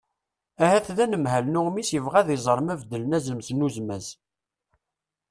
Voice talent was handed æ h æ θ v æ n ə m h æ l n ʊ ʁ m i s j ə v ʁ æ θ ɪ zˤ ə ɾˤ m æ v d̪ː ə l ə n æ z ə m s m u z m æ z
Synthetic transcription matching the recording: æ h æ θ ð æ n ə m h æ l n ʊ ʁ m i s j ə v ʁ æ ð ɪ zˤ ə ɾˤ m æ v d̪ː ə l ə n æ z ə m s n u z m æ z